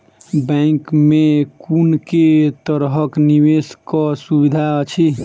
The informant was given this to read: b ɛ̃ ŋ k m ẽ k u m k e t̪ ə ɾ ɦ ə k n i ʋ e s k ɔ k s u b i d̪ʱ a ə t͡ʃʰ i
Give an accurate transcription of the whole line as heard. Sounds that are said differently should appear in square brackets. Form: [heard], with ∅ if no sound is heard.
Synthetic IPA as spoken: b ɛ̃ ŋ k m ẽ k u [n] k e t̪ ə ɾ ɦ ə k n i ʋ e s k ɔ [∅] s u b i d̪ʱ a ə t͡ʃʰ i